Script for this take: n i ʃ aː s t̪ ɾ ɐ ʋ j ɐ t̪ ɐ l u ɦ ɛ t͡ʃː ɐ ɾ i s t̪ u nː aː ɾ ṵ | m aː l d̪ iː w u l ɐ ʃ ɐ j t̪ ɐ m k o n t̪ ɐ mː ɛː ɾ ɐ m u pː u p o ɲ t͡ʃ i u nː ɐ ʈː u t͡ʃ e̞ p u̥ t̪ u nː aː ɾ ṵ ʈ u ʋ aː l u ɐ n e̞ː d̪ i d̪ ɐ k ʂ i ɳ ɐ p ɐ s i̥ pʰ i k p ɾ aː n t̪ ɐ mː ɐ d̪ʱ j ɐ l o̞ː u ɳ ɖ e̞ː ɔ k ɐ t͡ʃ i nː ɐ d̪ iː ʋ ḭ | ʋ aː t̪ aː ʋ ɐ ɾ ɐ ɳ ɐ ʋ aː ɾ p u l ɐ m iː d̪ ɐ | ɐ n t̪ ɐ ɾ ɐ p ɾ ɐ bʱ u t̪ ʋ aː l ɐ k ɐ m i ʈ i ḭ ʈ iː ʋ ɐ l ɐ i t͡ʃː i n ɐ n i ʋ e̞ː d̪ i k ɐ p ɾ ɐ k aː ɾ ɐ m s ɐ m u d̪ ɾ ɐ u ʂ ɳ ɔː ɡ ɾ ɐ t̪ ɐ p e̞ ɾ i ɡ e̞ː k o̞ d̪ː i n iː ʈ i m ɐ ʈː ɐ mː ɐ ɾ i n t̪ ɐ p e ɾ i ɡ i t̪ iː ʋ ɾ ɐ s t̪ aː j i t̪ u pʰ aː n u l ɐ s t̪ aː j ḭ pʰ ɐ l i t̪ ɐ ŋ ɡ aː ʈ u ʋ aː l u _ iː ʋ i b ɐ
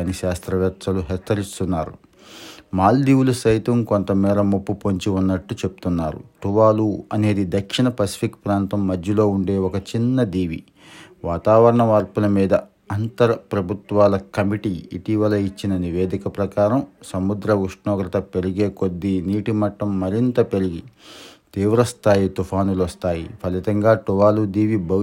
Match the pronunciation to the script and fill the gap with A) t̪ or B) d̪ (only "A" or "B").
B